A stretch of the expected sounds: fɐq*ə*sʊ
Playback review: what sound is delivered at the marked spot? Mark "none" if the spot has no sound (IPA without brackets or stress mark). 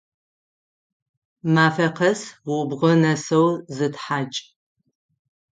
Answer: ɐ